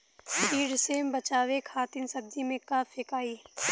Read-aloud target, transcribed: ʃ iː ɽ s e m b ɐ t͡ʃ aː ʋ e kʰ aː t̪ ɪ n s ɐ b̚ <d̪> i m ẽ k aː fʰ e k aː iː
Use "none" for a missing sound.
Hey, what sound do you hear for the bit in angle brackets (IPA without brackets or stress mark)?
d̪